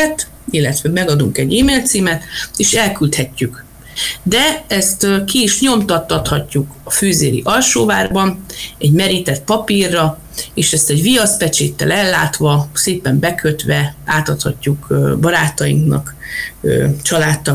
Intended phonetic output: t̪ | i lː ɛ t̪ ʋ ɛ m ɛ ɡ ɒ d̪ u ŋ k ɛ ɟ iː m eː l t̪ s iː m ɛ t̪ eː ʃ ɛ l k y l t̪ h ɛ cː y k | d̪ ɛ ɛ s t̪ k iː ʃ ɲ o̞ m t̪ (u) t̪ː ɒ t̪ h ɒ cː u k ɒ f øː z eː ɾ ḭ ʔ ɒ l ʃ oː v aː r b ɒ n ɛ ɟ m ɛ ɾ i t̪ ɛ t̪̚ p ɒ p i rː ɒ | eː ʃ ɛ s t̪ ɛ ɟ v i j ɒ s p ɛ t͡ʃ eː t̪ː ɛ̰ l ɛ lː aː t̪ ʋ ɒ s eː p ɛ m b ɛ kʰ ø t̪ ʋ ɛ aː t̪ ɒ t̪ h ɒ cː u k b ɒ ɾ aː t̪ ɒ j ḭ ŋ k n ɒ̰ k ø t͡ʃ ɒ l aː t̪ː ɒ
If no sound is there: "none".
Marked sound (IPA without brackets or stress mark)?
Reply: ɒ